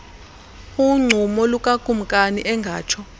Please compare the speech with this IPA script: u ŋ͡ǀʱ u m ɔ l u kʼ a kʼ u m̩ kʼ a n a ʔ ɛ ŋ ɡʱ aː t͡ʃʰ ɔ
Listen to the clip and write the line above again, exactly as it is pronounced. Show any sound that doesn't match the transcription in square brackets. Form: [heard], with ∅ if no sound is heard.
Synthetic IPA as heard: u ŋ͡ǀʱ u m ɔ l u kʼ a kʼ u m̩ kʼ a n [i] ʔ ɛ ŋ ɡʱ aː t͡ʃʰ ɔ